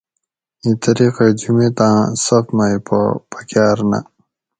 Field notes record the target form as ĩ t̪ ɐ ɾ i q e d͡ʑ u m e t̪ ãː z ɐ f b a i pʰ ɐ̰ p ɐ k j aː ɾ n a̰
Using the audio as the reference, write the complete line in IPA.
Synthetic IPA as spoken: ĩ t̪ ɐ ɾ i q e d͡ʑ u m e t̪ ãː s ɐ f m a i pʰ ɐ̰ p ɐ k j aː ɾ n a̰